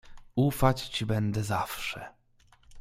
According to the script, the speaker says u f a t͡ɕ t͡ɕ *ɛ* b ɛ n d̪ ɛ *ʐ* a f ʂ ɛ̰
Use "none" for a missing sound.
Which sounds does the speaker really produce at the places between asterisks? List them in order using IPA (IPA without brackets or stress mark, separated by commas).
i, z